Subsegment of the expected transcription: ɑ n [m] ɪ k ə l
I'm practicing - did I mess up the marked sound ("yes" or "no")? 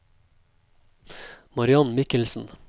no